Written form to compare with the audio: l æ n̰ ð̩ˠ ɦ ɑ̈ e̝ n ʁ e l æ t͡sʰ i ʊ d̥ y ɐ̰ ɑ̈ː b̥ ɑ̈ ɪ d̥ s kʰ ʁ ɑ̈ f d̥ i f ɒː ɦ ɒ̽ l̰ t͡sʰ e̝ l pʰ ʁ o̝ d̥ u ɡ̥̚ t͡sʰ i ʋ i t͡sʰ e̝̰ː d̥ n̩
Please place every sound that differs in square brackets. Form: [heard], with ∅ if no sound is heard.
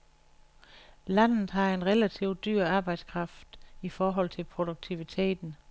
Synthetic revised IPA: l æ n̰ ð̩ˠ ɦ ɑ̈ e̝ n ʁ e l æ t͡sʰ i ʊ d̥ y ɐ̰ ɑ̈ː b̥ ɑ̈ ɪ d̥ s kʰ ʁ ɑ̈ f d̥ i f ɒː ɦ ɒ̽ l̰ t͡sʰ e̝ l pʰ ʁ o̝ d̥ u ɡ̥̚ t͡sʰ i ʋ i t͡sʰ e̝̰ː d̥ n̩